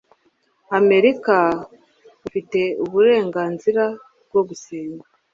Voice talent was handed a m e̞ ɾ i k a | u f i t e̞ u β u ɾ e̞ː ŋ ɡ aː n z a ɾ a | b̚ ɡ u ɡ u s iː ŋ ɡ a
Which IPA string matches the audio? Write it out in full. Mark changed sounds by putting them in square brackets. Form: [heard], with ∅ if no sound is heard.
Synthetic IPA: a m e̞ ɾ i k a | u f i t e̞ u β u ɾ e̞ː ŋ ɡ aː n z [i] ɾ a | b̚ ɡ [o] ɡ u s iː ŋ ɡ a